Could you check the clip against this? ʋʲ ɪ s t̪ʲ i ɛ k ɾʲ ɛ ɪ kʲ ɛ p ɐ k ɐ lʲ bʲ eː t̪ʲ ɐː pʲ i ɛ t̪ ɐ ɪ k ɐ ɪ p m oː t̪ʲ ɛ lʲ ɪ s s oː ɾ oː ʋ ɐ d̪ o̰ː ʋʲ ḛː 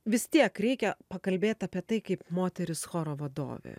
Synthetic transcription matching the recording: ʋʲ ɪ s t̪ʲ i ɛ k ɾʲ ɛ ɪ kʲ ɛ p ɐ k ɐ lʲ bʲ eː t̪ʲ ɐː pʲ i ɛ t̪ ɐ ɪ k ɐ ɪ p m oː t̪ʲ ɛ ɾʲ ɪ s x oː ɾ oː ʋ ɐ d̪ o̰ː ʋʲ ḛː